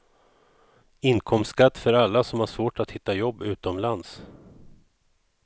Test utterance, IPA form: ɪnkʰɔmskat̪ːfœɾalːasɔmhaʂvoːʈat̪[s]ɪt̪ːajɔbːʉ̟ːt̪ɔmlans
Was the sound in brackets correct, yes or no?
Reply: no